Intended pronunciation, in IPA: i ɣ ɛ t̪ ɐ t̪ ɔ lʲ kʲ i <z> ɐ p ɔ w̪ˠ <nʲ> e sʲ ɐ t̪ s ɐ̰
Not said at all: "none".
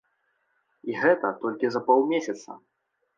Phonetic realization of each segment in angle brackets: z, mʲ

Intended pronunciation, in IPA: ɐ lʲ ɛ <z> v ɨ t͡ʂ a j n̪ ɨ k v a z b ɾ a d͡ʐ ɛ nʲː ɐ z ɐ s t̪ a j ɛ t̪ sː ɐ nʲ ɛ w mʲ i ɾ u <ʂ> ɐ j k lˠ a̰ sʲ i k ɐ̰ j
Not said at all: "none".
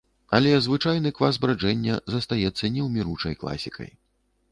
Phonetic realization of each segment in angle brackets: z, t͡ʂ

